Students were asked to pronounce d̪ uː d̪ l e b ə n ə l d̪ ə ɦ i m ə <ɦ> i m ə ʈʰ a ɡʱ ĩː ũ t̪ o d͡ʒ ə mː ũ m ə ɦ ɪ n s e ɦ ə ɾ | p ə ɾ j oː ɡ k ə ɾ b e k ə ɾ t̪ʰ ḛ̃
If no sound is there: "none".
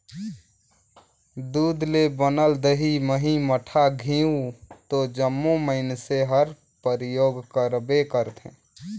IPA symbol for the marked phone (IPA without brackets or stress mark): ɦ